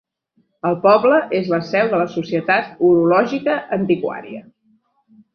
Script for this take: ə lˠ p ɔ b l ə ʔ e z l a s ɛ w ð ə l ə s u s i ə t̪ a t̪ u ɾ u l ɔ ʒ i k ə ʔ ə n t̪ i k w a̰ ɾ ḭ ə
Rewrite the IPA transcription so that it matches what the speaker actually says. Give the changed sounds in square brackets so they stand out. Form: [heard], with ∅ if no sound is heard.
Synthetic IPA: ə lˠ p ɔ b l ə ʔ e z l [ə] s ɛ w ð ə l ə s u s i ə t̪ a t̪ u ɾ u l ɔ ʒ i k ə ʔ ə n t̪ i k w a̰ ɾ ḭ ə